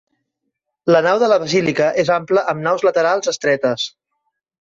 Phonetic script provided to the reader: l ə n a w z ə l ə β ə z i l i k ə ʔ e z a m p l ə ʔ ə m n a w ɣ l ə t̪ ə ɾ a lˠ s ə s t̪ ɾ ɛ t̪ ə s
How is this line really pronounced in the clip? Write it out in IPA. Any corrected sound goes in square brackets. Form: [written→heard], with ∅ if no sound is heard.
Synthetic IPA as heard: l ə n a w [z→ð] ə l ə β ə z i l i k ə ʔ e z a m p l ə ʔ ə m n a w [ɣ→z] l ə t̪ ə ɾ a lˠ [s→z] ə s t̪ ɾ ɛ t̪ ə s